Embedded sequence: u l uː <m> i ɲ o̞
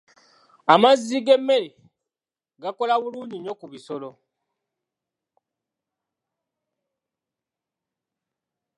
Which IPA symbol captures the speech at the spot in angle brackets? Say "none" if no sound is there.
ɲ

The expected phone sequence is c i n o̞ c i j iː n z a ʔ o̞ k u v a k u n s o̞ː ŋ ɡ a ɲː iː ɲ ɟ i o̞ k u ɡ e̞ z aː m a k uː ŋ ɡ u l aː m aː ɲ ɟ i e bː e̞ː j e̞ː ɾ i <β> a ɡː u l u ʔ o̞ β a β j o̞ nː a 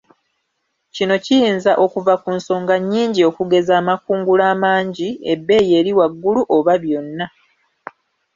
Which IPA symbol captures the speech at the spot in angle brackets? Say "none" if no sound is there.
w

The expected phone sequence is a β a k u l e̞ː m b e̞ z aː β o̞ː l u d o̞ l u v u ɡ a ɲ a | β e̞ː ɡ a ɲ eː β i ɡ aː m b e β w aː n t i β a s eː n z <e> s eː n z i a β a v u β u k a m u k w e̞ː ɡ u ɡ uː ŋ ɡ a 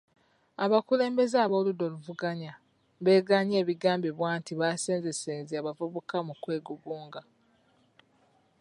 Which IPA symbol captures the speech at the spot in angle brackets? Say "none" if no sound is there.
e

